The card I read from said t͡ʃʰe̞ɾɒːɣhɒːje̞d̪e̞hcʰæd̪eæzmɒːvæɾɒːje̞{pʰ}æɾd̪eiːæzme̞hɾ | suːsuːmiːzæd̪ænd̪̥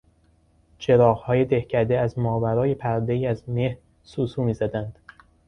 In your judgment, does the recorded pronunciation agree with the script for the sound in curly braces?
yes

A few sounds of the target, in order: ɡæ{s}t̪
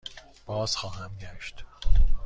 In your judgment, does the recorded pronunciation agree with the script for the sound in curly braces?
no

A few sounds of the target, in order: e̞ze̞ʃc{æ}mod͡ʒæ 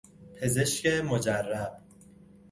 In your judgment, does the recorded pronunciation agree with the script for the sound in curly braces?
no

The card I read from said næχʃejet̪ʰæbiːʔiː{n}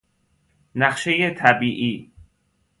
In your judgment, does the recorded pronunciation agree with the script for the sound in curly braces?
no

